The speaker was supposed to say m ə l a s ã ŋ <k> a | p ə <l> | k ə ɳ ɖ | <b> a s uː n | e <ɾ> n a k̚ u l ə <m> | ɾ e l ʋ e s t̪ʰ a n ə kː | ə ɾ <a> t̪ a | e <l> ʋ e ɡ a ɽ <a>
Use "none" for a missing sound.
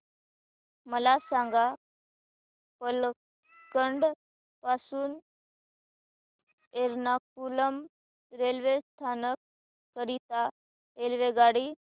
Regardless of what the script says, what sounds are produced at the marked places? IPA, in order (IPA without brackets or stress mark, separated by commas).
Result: ɡ, l, p, ɾ, m, i, l, i